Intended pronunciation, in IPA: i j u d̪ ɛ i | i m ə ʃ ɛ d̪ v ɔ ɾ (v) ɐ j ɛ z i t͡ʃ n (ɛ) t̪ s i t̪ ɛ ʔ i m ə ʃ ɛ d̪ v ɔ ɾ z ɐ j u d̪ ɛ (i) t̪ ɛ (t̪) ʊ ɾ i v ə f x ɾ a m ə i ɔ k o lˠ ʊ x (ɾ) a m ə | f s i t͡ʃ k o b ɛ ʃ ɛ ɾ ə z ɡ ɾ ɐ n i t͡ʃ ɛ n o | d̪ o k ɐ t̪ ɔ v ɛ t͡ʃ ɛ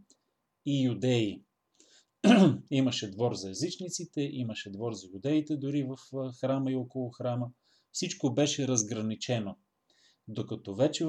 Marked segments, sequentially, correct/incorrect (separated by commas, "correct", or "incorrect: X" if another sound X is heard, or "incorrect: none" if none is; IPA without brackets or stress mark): incorrect: z, incorrect: i, correct, incorrect: d̪, correct